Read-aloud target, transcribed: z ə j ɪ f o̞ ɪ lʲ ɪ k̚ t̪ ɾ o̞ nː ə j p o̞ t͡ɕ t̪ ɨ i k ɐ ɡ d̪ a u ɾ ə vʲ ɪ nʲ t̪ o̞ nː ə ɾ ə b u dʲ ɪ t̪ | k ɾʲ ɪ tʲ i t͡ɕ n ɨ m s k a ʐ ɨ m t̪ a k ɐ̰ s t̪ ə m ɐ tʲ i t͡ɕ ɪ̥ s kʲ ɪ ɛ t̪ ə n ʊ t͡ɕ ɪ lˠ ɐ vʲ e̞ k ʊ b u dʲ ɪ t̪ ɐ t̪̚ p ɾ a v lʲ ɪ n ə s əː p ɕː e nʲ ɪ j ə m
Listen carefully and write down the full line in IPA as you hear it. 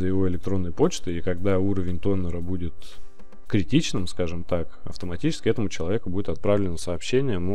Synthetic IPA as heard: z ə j ɪ v o̞ ɪ lʲ ɪ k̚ t̪ ɾ o̞ nː ə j p o̞ t͡ɕ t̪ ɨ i k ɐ ɡ d̪ a u ɾ ə vʲ ɪ nʲ t̪ o̞ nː ə ɾ ə b u dʲ ɪ t̪ | k ɾʲ ɪ tʲ i t͡ɕ n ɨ m s k a ʐ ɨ m t̪ a k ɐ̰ f t̪ ə m ɐ tʲ i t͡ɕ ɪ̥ s kʲ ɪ ɛ t̪ ə m ʊ t͡ɕ ɪ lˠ ɐ vʲ e̞ k ʊ b u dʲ ɪ t̪ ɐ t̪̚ p ɾ a v lʲ ɪ n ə s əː p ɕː e nʲ ɪ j ə m

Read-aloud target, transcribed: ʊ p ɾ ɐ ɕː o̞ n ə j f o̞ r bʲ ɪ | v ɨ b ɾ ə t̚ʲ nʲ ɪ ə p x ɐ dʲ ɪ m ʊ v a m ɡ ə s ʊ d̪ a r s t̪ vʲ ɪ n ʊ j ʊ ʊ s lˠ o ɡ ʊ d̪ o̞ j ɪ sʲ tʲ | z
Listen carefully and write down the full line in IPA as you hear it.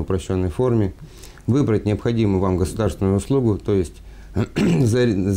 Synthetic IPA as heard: ʊ p ɾ ɐ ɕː o̞ nː ə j f o̞ r mʲ ɪ | v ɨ b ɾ ə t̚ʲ nʲ ɪ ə p x ɐ dʲ i m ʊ v a m ɡ ə s ʊ d̪ a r s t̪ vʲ ɪ n ʊ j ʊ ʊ s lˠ u ɡ ʊ t̪ o̞ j ɪ sʲ tʲ | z

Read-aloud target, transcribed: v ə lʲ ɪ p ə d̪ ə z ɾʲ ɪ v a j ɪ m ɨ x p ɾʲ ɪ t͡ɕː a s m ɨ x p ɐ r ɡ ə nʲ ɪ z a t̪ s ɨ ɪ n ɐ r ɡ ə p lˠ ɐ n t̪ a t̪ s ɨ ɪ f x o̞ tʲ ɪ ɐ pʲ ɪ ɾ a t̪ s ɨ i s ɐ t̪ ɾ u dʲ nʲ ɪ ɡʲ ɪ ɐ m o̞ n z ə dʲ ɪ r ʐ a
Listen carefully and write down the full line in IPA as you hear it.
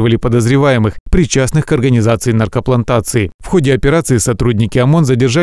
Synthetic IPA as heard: v ə lʲ ɪ p ə d̪ ə z ɾʲ ɪ v a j ɪ m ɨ x p ɾʲ ɪ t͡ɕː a s n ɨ x k ɐ r ɡ ə nʲ ɪ z a t̪ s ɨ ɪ n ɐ r k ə p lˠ ɐ n t̪ a t̪ s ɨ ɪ f x o̞ dʲ ɪ ɐ pʲ ɪ ɾ a t̪ s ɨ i s ɐ t̪ ɾ u dʲ nʲ ɪ kʲ ɪ ɐ m o̞ n z ə dʲ ɪ r ʐ a

